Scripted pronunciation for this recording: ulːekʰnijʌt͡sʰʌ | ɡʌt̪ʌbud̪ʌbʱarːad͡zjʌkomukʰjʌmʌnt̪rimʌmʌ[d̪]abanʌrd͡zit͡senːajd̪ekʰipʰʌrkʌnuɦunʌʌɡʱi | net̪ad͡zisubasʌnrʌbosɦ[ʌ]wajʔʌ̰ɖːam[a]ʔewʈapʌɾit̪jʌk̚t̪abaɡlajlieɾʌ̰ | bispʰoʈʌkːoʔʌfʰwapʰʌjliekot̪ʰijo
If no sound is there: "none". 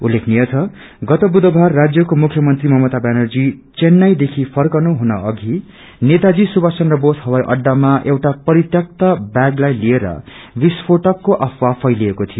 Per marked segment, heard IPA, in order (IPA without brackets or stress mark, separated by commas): t̪, ʌ, a